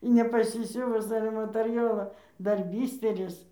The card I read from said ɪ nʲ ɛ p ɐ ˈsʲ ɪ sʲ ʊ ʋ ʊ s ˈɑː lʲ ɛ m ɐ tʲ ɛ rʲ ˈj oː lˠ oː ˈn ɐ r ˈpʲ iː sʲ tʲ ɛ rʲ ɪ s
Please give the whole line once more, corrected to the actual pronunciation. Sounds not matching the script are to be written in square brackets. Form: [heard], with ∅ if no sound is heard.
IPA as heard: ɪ nʲ ɛ p ɐ ˈsʲ ɪ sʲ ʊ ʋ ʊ s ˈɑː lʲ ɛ m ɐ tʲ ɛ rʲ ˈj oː lˠ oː [ˈd] ɐ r [ˈbʲ] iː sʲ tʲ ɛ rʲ ɪ s

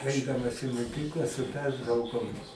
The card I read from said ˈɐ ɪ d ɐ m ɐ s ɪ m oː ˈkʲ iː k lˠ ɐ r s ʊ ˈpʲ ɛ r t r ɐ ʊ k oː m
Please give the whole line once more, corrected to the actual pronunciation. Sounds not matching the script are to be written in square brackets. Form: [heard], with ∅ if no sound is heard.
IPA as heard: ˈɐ ɪ d ɐ m ɐ s ɪ m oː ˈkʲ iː k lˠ ɐ [∅] s ʊ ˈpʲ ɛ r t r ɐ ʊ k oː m

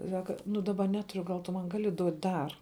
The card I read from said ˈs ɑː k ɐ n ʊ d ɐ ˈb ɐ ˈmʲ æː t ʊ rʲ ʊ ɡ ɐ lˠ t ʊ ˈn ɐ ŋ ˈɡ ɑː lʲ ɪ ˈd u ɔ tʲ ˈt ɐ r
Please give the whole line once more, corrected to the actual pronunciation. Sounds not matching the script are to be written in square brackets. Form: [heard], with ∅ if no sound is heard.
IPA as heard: ˈs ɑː k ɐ n ʊ d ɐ ˈb ɐ [ˈnʲ] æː t ʊ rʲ ʊ ɡ ɐ lˠ t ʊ [ˈm] ɐ [n] ˈɡ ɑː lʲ ɪ ˈd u ɔ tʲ [ˈd] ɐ r

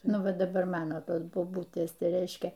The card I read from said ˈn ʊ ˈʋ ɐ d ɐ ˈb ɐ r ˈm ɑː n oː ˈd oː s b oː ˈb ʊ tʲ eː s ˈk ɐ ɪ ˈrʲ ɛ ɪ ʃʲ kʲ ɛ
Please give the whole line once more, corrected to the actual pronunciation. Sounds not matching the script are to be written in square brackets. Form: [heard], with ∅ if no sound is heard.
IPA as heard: ˈn ʊ ˈʋ ɐ d ɐ ˈb ɐ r ˈm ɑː n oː [ˈt] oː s b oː ˈb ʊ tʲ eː s [ˈt] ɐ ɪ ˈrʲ ɛ ɪ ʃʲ kʲ ɛ

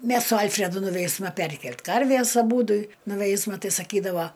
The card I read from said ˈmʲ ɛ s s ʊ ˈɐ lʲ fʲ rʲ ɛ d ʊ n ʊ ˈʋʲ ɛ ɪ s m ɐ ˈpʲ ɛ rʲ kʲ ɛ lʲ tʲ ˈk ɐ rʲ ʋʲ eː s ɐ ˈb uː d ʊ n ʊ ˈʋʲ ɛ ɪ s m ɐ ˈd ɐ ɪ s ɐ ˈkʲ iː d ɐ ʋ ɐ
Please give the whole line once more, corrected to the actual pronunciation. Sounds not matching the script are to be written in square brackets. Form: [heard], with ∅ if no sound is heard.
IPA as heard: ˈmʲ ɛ s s ʊ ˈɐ lʲ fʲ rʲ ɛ d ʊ n ʊ ˈʋʲ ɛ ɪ s m ɐ ˈpʲ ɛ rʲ kʲ ɛ lʲ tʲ ˈk ɐ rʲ ʋʲ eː s ɐ ˈb uː d ʊ n ʊ ˈʋʲ ɛ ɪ s m ɐ [ˈt] ɐ ɪ s ɐ ˈkʲ iː d ɐ ʋ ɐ

